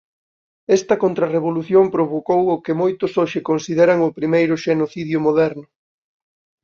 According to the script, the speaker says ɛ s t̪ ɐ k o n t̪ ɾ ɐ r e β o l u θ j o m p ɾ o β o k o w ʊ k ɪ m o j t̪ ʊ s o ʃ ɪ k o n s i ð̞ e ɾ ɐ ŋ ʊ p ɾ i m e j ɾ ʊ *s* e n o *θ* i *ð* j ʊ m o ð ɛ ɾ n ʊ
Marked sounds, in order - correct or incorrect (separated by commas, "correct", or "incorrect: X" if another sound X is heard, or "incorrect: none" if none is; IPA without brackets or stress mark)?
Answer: incorrect: ʃ, correct, correct